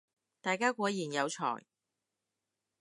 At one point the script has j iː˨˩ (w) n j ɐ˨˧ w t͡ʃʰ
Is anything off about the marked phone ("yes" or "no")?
yes